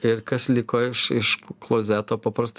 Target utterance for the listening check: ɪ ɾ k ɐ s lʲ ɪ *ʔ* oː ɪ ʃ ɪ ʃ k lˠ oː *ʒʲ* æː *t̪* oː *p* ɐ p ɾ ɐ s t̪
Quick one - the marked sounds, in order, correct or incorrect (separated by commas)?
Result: incorrect, incorrect, correct, correct